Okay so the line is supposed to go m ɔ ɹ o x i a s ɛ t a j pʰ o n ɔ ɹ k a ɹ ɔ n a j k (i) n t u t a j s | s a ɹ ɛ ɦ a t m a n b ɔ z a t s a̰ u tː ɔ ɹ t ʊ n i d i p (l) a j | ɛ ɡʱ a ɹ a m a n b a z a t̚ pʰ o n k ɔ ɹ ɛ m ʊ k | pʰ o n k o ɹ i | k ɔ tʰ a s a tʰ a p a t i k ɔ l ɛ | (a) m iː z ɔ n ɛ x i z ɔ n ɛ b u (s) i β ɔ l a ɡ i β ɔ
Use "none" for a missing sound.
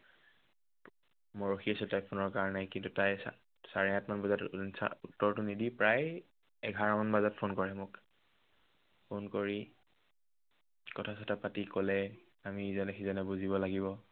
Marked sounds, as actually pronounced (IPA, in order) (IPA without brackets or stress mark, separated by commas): i, ɹ, a, z